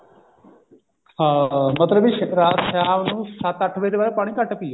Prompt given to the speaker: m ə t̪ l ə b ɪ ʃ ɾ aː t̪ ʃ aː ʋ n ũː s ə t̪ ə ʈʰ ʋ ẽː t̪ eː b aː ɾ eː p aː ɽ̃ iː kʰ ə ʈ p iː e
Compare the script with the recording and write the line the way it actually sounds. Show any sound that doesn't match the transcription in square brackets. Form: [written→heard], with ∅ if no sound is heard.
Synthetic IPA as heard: m ə t̪ l ə b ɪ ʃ ɾ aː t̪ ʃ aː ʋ n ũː s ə t̪ ə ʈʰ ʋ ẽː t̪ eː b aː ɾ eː p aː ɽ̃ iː [kʰ→k] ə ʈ p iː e